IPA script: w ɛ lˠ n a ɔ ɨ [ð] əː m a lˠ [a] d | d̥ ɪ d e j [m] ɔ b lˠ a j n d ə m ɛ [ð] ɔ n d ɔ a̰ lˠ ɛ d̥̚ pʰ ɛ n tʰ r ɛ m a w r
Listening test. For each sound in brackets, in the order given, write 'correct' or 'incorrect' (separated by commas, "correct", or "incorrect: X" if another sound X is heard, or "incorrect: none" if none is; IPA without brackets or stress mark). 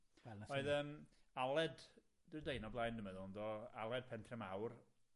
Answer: correct, incorrect: ɛ, incorrect: n, correct